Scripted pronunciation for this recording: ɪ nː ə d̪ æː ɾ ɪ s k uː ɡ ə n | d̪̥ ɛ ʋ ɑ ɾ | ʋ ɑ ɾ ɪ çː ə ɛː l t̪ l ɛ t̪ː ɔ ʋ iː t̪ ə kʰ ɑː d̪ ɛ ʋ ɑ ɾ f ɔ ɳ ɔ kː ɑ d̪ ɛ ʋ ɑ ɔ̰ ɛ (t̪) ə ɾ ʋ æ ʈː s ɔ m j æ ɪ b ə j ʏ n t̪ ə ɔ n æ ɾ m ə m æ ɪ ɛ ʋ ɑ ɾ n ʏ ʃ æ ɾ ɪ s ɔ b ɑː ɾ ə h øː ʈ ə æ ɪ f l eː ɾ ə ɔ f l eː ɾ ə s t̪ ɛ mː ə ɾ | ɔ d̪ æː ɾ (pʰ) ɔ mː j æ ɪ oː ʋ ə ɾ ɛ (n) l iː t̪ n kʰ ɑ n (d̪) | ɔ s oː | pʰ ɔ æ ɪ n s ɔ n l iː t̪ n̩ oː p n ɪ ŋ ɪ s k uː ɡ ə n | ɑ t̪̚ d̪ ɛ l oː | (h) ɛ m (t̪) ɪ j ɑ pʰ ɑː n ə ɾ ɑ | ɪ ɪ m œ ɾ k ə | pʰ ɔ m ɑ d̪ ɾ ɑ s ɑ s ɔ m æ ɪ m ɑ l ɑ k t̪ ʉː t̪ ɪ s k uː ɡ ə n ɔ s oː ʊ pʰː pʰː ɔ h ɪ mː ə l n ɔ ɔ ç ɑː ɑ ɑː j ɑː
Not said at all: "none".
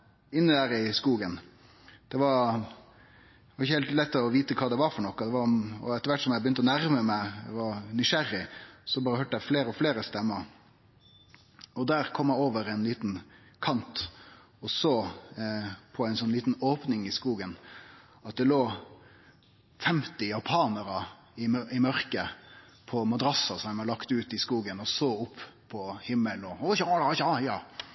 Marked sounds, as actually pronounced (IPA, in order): t̪, kʰ, n, t̪, f, t̪

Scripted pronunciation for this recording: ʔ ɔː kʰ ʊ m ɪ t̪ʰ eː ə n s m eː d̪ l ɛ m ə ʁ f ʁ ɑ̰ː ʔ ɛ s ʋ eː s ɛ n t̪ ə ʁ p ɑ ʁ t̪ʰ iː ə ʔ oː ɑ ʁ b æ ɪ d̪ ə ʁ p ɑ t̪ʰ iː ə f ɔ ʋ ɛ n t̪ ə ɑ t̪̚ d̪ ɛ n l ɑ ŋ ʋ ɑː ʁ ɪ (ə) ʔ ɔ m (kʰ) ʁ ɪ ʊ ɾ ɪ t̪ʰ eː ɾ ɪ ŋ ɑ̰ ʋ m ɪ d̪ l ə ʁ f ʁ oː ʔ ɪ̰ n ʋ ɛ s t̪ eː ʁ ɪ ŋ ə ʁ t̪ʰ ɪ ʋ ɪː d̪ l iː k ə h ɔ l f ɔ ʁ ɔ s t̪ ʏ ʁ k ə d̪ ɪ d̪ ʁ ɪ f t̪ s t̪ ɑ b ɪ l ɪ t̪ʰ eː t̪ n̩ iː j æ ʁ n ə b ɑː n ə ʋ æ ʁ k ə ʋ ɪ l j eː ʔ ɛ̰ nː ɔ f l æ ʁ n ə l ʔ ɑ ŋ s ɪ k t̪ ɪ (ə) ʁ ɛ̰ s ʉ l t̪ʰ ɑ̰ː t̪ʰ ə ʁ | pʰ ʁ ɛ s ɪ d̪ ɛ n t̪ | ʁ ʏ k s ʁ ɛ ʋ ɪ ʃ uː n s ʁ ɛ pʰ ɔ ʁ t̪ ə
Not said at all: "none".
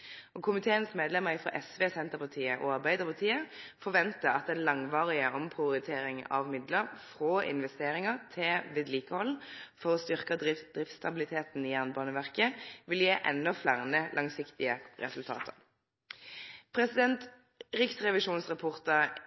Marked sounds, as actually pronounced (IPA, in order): ə, pʰ, ə

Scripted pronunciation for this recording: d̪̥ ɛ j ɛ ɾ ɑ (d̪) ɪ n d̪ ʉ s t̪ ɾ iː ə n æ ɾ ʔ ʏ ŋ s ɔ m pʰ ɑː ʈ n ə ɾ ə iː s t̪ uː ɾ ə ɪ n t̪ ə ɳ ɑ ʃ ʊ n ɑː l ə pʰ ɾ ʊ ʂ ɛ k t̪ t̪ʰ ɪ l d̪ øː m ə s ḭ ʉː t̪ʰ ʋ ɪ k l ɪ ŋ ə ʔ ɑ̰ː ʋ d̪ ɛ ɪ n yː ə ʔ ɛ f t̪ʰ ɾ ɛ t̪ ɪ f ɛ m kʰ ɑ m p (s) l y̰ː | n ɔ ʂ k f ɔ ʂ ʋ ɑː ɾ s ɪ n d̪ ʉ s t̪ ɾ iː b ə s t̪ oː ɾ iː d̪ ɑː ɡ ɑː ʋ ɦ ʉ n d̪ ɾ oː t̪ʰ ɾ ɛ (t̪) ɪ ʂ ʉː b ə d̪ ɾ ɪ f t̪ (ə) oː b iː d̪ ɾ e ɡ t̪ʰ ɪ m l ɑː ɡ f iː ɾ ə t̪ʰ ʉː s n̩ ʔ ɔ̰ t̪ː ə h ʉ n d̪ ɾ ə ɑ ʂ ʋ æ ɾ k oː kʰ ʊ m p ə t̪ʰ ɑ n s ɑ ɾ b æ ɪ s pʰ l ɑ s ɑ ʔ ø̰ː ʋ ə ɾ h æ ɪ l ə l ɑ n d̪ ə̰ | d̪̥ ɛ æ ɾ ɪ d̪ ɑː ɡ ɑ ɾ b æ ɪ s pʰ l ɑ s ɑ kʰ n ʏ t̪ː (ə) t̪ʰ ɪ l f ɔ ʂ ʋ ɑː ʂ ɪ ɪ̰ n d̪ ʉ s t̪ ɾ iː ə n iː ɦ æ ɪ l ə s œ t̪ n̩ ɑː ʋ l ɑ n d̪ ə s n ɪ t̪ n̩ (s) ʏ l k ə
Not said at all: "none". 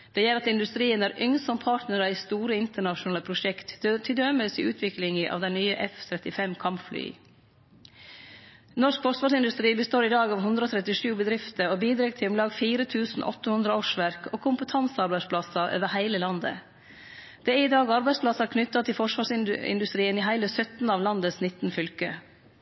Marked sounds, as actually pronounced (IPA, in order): t̪, f, t̪, ə, ɑ, f

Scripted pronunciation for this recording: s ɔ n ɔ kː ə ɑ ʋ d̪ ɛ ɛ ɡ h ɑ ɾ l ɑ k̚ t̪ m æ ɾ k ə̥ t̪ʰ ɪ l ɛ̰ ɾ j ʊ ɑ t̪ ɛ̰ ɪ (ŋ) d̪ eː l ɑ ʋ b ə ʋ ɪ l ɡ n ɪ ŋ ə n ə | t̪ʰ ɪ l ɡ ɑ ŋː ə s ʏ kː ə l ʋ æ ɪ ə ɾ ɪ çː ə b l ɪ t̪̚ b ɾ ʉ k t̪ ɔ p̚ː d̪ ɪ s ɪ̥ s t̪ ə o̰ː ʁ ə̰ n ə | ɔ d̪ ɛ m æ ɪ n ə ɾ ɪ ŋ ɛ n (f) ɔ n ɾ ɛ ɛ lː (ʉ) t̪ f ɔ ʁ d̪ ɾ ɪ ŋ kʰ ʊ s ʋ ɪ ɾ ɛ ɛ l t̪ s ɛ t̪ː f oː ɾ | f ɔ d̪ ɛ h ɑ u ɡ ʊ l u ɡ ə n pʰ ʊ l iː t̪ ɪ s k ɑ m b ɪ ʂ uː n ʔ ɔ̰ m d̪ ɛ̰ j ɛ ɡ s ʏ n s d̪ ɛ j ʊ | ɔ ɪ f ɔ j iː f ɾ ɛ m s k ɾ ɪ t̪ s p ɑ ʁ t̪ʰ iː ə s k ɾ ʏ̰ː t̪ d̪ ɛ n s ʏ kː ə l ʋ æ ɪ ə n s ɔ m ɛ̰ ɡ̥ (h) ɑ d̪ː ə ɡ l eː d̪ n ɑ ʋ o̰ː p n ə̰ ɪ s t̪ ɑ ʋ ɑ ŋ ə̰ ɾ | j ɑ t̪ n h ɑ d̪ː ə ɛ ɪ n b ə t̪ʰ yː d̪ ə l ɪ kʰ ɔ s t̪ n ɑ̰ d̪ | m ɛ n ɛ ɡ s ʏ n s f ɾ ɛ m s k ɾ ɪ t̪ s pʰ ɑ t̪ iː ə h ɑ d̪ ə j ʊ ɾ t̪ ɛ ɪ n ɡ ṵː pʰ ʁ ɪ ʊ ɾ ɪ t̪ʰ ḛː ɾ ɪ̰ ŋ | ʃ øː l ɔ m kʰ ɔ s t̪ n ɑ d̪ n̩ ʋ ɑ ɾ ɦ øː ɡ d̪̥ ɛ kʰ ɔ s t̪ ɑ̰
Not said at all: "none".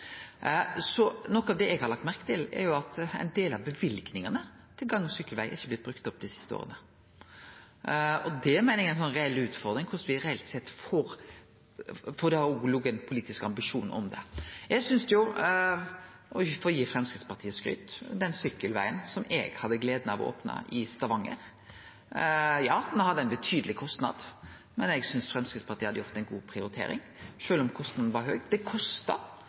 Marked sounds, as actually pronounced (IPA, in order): n, s, ʉː, h

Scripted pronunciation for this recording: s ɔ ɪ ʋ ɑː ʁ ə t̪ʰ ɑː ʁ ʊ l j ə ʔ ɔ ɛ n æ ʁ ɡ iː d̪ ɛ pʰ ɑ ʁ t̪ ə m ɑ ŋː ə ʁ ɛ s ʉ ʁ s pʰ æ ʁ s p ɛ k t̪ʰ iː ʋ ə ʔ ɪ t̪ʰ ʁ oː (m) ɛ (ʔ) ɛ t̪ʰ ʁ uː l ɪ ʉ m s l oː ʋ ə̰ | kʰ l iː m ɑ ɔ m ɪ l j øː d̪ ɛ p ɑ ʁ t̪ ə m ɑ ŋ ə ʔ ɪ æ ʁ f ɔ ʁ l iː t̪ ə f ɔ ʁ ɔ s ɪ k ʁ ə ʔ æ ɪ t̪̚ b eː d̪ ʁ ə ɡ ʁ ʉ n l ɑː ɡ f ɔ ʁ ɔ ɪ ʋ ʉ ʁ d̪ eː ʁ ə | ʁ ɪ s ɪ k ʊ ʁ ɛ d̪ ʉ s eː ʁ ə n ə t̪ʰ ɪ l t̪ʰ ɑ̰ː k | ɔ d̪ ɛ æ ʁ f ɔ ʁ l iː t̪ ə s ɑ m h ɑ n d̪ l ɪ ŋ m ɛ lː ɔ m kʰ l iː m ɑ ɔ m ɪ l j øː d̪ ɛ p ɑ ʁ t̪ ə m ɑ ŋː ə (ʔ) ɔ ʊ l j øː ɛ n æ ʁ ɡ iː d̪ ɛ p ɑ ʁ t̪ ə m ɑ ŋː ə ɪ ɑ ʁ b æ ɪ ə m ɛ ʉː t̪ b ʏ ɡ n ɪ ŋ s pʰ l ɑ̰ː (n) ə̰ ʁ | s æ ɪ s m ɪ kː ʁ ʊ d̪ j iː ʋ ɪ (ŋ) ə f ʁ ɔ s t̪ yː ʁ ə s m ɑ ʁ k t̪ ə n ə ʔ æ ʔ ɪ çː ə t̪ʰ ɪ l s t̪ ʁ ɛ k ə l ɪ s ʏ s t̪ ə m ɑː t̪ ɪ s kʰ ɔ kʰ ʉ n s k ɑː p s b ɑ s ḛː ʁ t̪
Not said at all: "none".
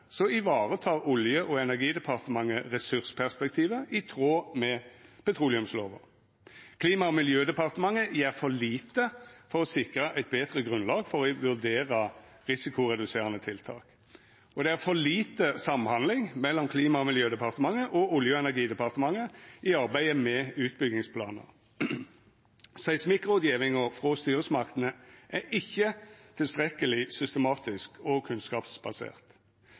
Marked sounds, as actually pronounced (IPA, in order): m, p, ʔ, n, ŋ

